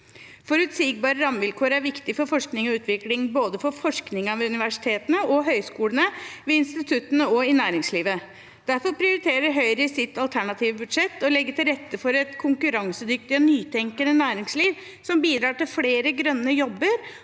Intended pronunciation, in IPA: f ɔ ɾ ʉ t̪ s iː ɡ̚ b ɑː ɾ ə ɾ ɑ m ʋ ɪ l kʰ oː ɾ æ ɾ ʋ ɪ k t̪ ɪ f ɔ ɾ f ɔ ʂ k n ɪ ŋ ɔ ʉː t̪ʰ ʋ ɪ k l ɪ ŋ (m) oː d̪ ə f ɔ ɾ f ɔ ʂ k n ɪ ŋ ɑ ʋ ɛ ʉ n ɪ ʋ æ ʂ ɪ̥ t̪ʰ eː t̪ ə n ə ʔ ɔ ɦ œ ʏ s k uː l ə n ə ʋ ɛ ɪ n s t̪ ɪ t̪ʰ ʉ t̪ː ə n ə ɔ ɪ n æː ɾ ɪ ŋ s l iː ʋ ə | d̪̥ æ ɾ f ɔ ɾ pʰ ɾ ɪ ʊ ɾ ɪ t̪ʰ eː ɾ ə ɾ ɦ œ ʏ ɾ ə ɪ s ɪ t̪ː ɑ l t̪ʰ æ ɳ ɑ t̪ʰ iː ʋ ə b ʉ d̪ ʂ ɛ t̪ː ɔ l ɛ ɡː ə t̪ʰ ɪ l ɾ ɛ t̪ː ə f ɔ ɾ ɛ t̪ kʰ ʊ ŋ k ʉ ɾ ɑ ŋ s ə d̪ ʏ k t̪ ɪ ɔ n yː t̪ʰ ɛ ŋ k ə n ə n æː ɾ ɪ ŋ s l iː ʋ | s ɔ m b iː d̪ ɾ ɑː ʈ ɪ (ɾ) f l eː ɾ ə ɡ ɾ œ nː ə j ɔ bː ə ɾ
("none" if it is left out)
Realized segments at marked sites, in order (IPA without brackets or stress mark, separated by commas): b, l